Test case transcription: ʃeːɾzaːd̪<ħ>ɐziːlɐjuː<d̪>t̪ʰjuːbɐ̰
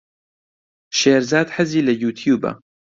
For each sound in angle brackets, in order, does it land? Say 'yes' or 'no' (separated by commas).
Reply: yes, no